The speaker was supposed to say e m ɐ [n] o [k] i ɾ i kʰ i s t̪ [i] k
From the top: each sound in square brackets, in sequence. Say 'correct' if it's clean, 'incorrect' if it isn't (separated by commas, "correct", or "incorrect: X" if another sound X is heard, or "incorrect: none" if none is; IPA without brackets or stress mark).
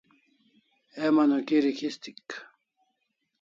correct, correct, correct